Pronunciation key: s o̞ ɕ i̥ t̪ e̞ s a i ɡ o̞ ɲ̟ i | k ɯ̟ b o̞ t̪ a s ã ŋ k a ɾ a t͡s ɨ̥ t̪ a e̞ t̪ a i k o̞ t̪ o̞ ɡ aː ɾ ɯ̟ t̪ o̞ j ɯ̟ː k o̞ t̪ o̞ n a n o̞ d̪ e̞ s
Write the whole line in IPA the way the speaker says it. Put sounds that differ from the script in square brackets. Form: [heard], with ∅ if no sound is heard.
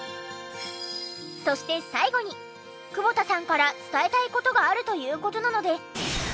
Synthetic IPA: s o̞ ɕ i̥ t̪ e̞ s a i ɡ o̞ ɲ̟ i | k ɯ̟ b o̞ t̪ a s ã ŋ k a ɾ a t͡s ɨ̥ t̪ a e̞ t̪ a i k o̞ t̪ o̞ ɡ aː ɾ ɯ̟ t̪ o̞ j ɯ̟ː k o̞ t̪ o̞ n a n o̞ d̪ e̞ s